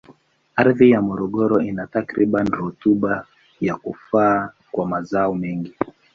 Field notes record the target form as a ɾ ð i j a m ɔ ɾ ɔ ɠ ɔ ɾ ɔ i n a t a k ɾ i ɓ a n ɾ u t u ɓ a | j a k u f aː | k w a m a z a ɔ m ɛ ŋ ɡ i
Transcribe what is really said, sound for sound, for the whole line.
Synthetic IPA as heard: a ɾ ð i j a m ɔ ɾ ɔ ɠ ɔ ɾ ɔ i n a t a k ɾ i ɓ a n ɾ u t u ɓ a | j a k u f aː | k w a m a z a ɔ m ɛ ŋ ɡ i